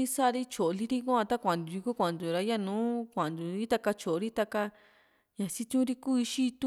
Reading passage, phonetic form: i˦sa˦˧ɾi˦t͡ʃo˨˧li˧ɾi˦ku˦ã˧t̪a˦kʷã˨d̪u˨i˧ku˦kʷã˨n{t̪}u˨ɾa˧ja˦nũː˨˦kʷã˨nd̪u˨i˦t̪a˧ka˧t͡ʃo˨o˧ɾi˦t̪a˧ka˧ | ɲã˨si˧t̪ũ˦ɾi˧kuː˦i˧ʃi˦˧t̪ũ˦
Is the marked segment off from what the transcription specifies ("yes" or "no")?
yes